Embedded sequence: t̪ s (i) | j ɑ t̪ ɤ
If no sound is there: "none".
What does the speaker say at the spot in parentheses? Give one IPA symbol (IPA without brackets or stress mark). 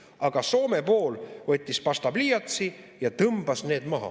i